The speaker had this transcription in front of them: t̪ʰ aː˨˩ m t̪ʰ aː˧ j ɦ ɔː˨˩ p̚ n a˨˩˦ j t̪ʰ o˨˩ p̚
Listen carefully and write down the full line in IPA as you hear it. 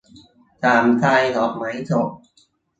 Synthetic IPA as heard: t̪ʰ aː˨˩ m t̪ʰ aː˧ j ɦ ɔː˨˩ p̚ m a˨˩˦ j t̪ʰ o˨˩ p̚